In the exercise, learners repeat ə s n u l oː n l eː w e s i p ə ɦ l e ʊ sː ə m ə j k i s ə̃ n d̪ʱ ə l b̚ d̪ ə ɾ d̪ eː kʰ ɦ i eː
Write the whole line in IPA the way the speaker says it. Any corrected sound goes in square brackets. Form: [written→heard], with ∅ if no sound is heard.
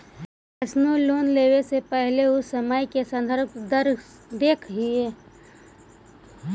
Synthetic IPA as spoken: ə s n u l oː n l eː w e s [i→e] p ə ɦ l e ʊ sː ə m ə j k [i→e] s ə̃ n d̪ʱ ə [l→ɾ] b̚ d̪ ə ɾ d̪ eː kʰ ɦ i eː